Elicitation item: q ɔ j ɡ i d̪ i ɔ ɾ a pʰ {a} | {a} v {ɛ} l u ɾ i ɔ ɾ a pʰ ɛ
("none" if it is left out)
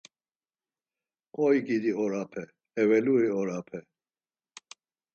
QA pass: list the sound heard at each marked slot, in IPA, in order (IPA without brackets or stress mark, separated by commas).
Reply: ɛ, ɛ, ɛ